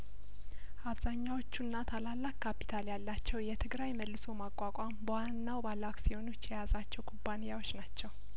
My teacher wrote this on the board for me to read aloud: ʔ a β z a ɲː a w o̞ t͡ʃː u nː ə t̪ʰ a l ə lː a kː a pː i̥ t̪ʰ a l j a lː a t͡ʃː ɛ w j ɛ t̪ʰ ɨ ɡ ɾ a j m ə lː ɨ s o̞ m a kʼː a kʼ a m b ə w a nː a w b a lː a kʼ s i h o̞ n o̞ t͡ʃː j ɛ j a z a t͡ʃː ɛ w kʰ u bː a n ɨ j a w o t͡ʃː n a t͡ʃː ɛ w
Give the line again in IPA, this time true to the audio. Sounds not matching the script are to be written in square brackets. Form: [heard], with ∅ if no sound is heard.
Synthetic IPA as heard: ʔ a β z a ɲː a w o̞ t͡ʃː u nː [a] t̪ʰ a l [a] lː a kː a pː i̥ t̪ʰ a l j a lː a t͡ʃː ɛ w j ɛ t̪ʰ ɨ ɡ ɾ a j m ə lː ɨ s o̞ m a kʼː a kʼ a m b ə w a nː a w b a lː a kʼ s i h o̞ n o̞ t͡ʃː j ɛ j a z a t͡ʃː ɛ w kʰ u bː a n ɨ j a w o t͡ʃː n a t͡ʃː ɛ w

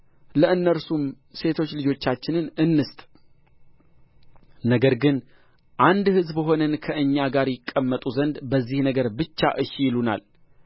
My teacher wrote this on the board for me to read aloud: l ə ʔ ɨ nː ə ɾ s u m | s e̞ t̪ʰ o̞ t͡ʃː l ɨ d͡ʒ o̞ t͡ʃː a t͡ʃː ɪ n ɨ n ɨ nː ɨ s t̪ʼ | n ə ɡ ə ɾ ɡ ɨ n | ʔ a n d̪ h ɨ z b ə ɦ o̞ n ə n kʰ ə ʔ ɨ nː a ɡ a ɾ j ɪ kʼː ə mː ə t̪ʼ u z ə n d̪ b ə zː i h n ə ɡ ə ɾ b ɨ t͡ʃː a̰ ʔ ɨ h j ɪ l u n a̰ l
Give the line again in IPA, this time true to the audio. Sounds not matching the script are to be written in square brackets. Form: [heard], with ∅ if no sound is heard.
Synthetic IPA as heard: l ə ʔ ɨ nː ə ɾ s u m | s e̞ t̪ʰ o̞ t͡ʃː l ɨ d͡ʒ o̞ t͡ʃː a t͡ʃː ɪ n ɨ n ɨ nː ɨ s t̪ʼ | n ə ɡ ə ɾ ɡ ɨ n | ʔ a n d̪ h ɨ z b ə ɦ o̞ n ə n kʰ ə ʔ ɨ [ɲː] a ɡ a ɾ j ɪ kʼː ə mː ə t̪ʼ u z ə n d̪ b ə zː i h n ə ɡ ə ɾ b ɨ t͡ʃː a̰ ʔ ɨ [ʃ] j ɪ l u n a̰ l

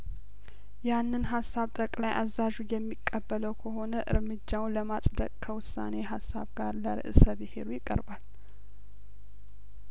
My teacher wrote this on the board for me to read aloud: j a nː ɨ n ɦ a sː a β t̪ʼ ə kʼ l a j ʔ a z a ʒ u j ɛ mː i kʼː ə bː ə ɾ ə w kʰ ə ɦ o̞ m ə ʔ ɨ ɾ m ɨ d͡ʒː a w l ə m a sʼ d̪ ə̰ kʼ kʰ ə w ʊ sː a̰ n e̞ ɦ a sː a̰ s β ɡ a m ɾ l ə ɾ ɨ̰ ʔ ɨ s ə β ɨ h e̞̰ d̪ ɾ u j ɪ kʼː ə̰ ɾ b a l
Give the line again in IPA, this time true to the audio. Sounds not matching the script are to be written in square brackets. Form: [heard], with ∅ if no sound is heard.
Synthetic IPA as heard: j a nː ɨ n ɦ a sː a β t̪ʼ ə kʼ l a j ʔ a z a ʒ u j ɛ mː i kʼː ə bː ə [l] ə w kʰ ə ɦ o̞ [n] ə ʔ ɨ ɾ m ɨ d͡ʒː a w l ə m a sʼ d̪ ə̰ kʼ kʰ ə w ʊ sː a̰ n e̞ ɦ a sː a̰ [∅] β ɡ a [∅] ɾ l ə ɾ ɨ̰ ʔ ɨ s ə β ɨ h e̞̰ [∅] ɾ u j ɪ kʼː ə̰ ɾ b a l

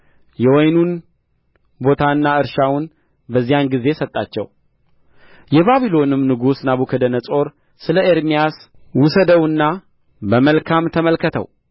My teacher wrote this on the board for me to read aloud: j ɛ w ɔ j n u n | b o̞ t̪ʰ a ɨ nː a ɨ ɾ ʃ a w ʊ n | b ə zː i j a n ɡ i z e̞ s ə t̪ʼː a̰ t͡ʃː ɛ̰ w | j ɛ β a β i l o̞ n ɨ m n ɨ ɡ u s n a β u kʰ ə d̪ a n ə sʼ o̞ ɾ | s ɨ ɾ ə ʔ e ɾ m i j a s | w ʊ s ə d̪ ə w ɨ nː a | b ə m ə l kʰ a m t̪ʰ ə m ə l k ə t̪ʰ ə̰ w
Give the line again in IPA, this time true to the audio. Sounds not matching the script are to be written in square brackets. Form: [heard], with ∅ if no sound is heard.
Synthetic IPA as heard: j ɛ w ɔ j n u n | b o̞ t̪ʰ a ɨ nː a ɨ ɾ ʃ a w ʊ n | b ə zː i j a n ɡ i z e̞ s ə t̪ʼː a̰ t͡ʃː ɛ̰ w | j ɛ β a β i l o̞ n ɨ m n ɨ ɡ u s n a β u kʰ ə d̪ [ə] n ə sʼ o̞ ɾ | s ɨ [l] ə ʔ e ɾ m i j a s | w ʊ s ə d̪ ə w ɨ nː a | b ə m ə l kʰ a m t̪ʰ ə m ə l k ə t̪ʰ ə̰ w

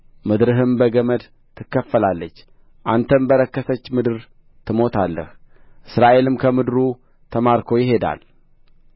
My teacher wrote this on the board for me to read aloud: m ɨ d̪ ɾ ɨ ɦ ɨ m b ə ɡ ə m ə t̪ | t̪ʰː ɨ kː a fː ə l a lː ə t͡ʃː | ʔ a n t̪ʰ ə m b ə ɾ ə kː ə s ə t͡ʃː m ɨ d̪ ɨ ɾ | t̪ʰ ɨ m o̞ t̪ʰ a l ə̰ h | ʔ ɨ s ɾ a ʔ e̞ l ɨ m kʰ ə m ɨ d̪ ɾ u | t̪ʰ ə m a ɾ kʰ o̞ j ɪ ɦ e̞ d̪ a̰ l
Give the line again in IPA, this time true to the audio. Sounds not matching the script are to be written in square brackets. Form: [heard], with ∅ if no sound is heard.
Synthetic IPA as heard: m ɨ d̪ ɾ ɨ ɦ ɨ m b ə ɡ ə m ə [d̪] | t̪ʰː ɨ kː [ə] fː ə l a lː ə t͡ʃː | ʔ a n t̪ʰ ə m b ə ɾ ə kː ə s ə t͡ʃː m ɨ d̪ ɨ ɾ | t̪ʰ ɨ m o̞ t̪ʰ a [lː] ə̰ h | ʔ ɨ s ɾ a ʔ e̞ l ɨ m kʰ ə m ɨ d̪ ɾ u | t̪ʰ ə m a ɾ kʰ o̞ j ɪ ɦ e̞ d̪ a̰ l

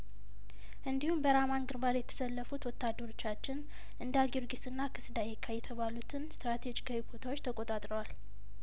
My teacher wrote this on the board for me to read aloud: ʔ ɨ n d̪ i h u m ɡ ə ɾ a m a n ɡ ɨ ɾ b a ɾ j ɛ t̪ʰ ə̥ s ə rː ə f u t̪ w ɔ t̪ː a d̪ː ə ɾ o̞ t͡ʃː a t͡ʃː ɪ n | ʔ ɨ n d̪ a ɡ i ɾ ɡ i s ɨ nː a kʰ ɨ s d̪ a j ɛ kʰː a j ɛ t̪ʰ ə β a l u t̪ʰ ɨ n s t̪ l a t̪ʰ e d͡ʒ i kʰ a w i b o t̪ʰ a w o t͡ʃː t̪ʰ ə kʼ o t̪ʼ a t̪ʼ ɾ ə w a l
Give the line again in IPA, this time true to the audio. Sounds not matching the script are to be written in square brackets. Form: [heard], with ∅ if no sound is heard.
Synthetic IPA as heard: ʔ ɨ n d̪ i h u m [b] ə ɾ a m a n ɡ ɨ ɾ b a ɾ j ɛ t̪ʰ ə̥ s ə [lː] ə f u t̪ w ɔ t̪ː a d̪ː ə ɾ o̞ t͡ʃː a t͡ʃː ɪ n | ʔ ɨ n d̪ a ɡ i ɾ ɡ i s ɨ nː a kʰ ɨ s d̪ a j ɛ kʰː a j ɛ t̪ʰ ə β a l u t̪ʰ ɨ n s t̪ [ɾ] a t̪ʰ e d͡ʒ i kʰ a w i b o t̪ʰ a w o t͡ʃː t̪ʰ ə kʼ o t̪ʼ a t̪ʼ ɾ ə w a l

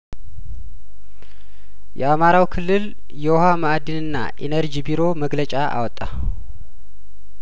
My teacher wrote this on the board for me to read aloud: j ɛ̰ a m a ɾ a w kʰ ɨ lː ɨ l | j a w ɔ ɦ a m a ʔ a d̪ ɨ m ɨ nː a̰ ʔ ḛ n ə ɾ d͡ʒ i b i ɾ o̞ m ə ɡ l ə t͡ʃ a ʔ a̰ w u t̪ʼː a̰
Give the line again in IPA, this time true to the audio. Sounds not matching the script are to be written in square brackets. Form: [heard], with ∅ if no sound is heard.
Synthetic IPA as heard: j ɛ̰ a m a ɾ a w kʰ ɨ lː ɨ l | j [ɛ] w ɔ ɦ a m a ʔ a d̪ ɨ [n] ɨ nː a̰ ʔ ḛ n ə ɾ d͡ʒ i b i ɾ o̞ m ə ɡ l ə [t͡ʃʼ] a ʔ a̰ w [ɔ] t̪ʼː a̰

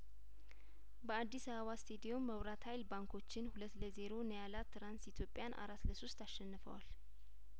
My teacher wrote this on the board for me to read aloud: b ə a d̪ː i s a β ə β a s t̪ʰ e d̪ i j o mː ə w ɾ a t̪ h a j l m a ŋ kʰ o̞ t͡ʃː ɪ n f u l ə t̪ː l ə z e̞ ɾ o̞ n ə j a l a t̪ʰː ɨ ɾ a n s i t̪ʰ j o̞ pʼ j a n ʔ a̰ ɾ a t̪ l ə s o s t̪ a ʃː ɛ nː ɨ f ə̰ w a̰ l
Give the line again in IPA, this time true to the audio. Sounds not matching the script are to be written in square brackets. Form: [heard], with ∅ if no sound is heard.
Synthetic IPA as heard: b ə a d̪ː i s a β ə β a s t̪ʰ e d̪ i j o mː ə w ɾ a t̪ h a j l [b] a ŋ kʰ o̞ t͡ʃː ɪ n [h] u l ə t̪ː l ə z e̞ ɾ o̞ n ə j a l a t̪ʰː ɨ ɾ a n s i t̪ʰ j o̞ pʼ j a n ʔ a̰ ɾ a t̪ l ə s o s t̪ a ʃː ɛ nː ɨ f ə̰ w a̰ l

